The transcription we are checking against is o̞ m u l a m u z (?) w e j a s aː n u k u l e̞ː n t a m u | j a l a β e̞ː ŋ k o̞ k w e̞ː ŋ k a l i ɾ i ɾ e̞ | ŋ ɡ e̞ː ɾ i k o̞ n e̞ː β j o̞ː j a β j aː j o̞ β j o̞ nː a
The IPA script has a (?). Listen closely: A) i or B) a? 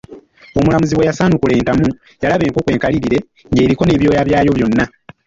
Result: A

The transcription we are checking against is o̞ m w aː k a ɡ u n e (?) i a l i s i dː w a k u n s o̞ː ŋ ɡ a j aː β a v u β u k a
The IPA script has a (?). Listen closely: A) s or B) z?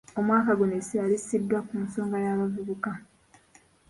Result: A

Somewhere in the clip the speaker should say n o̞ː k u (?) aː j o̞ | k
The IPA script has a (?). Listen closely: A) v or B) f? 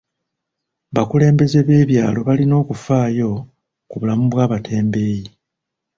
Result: B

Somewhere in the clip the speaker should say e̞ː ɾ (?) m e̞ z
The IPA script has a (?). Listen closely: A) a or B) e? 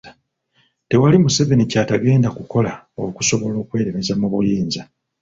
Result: B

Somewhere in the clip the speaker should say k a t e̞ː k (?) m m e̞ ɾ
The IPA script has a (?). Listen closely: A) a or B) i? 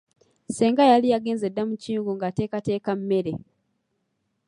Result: A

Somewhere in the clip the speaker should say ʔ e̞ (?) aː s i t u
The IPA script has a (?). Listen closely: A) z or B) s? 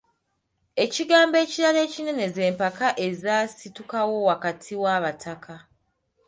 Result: A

